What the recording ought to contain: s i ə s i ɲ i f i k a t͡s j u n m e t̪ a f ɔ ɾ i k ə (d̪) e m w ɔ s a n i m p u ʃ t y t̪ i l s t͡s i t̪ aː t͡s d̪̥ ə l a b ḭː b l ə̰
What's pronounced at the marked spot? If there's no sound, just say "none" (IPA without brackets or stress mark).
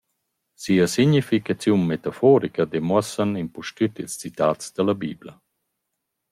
d̪